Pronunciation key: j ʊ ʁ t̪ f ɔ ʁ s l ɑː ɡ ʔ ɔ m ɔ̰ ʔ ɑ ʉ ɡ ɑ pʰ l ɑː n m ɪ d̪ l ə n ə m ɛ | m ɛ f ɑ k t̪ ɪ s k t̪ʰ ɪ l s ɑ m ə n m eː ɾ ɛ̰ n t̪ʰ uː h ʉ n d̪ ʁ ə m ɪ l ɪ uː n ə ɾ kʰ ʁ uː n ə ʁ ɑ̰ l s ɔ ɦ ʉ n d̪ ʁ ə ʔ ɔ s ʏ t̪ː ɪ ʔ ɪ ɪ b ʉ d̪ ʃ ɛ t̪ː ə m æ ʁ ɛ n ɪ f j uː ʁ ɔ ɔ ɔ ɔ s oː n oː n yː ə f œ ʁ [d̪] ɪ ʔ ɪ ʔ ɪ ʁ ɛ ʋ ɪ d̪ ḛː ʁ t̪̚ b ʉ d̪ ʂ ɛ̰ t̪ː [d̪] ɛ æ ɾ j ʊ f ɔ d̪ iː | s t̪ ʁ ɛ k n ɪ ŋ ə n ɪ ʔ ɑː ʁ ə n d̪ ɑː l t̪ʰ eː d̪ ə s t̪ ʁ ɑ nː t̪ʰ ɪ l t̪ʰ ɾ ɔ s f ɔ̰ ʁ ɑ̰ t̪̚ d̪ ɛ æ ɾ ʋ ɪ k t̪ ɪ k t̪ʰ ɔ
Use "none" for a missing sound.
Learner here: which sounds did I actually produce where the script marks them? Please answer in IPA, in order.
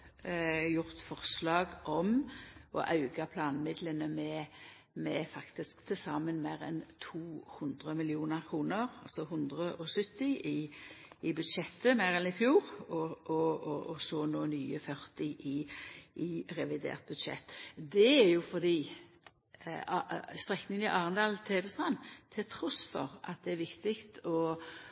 t̪, d̪

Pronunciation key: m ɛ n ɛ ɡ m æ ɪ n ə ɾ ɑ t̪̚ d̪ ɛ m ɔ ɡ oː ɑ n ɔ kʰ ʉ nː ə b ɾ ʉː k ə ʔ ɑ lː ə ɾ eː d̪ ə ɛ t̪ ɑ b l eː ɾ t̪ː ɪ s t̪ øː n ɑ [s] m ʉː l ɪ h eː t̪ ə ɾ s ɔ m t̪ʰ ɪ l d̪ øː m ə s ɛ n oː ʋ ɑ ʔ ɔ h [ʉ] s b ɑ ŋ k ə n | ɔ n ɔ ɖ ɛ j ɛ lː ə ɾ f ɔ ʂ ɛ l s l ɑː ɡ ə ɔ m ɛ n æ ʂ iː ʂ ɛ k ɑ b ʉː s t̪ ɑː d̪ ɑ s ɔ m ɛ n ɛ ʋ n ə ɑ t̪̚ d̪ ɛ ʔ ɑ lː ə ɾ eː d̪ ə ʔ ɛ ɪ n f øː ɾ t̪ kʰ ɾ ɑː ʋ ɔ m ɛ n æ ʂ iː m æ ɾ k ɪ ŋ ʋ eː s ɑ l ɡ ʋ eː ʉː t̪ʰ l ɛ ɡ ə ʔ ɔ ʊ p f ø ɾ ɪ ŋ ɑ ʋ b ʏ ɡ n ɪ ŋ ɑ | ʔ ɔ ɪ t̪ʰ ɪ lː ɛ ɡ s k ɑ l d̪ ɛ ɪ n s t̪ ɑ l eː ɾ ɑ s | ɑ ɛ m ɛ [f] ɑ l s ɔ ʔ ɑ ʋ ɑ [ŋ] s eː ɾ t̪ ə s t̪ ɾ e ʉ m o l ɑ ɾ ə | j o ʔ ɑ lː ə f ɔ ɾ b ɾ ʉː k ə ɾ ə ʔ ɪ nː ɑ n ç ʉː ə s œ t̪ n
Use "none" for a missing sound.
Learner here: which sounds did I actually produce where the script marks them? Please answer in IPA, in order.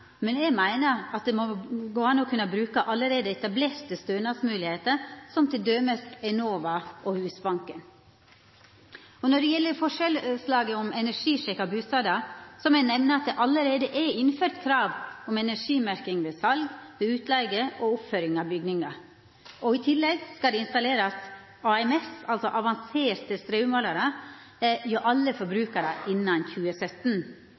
s, ʉː, s, n

